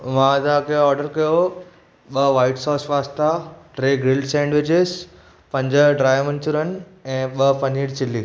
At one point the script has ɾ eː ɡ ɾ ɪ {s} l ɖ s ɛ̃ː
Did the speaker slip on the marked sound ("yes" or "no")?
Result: yes